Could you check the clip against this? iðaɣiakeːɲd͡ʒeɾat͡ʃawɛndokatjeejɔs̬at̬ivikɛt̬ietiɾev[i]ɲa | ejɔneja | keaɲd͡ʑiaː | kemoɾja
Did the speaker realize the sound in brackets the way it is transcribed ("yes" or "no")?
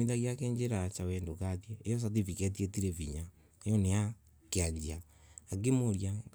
yes